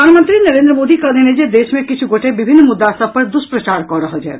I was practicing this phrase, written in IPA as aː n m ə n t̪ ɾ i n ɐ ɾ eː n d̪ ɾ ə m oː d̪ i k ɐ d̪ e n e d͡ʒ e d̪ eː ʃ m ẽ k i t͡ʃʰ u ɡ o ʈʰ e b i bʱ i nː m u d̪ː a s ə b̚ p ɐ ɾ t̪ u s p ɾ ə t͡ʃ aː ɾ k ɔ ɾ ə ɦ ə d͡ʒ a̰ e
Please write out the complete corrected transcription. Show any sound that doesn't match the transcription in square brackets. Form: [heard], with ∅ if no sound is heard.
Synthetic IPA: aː n m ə n t̪ ɾ i n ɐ ɾ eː n d̪ ɾ ə m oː d̪ i k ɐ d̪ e n e d͡ʒ e d̪ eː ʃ m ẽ k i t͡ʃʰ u ɡ o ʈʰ e b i bʱ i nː m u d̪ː a s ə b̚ p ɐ ɾ [d̪] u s p ɾ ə t͡ʃ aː ɾ k ɔ ɾ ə ɦ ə d͡ʒ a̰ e